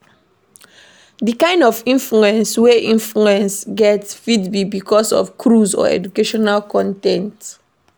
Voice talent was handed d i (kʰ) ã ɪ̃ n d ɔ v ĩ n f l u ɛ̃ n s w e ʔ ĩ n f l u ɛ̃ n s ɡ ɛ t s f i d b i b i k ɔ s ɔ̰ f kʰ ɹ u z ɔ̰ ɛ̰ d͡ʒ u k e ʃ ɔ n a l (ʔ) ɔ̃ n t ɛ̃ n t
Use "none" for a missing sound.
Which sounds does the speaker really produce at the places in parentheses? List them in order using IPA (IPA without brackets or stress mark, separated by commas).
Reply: k, k